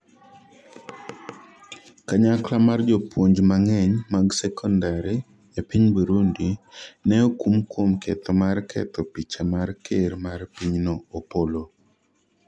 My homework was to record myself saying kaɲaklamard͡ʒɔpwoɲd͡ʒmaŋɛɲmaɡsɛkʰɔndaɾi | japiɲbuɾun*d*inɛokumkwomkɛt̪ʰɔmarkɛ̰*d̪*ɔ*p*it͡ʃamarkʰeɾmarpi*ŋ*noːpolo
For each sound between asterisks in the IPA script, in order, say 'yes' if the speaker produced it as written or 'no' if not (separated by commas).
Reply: yes, no, yes, no